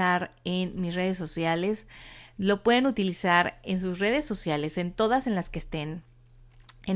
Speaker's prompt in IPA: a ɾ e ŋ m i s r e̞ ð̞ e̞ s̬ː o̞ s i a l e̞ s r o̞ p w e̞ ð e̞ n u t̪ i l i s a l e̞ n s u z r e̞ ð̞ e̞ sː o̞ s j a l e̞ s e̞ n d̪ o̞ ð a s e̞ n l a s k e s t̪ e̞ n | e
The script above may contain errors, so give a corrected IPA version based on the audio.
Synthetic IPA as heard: a ɾ e n m i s r e̞ ð̞ e̞ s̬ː o̞ s j a l e̞ s l o̞ p w e̞ ð e̞ n u t̪ i l i s a ɾ e̞ n s u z r e̞ ð̞ e̞ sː o̞ s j a l e̞ s e̞ n t̪ o̞ ð a s e̞ n l a s k e s t̪ e̞ n | e